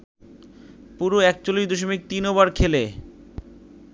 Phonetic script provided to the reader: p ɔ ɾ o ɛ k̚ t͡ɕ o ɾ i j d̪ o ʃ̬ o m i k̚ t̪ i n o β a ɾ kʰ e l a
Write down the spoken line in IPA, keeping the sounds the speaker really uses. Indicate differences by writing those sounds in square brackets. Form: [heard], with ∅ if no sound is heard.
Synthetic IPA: p [u] ɾ o ɛ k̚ t͡ɕ o [l] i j d̪ o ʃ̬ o m i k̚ t̪ i n o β a ɾ kʰ e l [e]

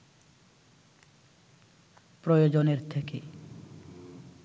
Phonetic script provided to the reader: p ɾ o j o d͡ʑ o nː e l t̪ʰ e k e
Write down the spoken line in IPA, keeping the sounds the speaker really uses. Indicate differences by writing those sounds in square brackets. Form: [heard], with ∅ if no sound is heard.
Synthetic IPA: p ɾ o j o d͡ʑ o [n] e [ɾ] t̪ʰ e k e

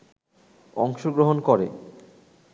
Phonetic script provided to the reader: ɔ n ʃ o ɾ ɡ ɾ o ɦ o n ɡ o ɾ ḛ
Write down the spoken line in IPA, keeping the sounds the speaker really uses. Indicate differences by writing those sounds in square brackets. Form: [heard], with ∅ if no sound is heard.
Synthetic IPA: ɔ [ŋ] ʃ o [∅] ɡ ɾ o ɦ o n [k] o ɾ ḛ

